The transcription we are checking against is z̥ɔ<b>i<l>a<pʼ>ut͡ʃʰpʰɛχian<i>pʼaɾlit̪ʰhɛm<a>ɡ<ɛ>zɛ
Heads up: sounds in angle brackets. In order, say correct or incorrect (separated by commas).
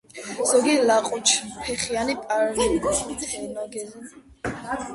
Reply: incorrect, correct, incorrect, correct, correct, correct